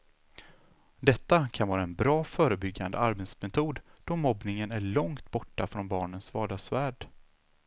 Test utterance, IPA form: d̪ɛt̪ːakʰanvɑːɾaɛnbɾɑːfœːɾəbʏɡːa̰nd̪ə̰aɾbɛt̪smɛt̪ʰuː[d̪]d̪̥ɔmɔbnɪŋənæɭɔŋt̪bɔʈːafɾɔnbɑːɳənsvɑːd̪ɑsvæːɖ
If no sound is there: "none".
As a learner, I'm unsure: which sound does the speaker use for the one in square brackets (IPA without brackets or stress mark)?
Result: d̪